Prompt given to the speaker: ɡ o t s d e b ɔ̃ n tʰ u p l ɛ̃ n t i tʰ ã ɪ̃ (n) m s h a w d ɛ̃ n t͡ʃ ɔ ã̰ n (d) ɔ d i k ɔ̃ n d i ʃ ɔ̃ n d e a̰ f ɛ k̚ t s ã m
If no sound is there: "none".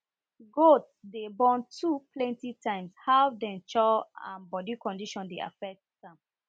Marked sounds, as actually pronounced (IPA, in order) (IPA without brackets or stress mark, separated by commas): none, b